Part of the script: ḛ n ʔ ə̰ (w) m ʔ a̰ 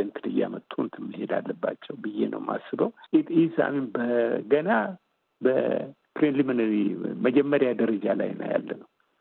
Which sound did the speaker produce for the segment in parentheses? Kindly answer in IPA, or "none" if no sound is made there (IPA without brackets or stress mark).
w